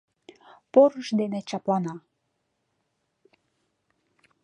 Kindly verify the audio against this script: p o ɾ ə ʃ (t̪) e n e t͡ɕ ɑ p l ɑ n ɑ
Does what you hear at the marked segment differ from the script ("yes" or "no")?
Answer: yes